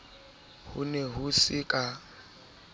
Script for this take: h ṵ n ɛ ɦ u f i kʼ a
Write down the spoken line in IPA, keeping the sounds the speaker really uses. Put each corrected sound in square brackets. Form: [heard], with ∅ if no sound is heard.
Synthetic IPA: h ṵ n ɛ ɦ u [s] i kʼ a